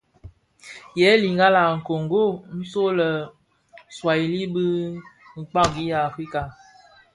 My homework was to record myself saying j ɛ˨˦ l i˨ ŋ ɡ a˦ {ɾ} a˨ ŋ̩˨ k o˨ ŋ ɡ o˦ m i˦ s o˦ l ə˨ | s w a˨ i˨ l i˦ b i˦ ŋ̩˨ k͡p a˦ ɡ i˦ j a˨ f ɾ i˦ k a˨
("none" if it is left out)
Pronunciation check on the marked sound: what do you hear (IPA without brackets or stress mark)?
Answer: l